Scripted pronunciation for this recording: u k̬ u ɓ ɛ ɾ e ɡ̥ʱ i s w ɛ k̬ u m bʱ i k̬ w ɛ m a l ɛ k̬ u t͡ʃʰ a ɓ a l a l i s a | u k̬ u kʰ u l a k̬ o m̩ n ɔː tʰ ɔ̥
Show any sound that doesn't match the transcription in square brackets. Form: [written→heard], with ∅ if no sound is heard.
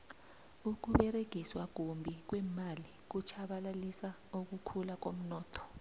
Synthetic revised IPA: u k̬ u ɓ ɛ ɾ e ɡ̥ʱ i s w [ɛ→a] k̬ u m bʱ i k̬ w ɛ m a l [ɛ→i] k̬ u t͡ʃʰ a ɓ a l a l i s a | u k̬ u kʰ u l a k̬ o m̩ n ɔː tʰ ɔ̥